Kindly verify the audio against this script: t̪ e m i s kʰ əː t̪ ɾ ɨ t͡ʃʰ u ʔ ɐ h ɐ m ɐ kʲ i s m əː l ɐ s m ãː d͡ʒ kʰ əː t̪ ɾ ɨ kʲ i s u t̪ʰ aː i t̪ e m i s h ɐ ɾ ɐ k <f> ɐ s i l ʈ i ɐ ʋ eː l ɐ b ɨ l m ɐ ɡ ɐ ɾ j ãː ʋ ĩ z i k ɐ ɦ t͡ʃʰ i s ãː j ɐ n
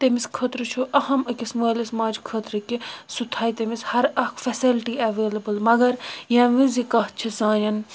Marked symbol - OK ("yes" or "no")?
yes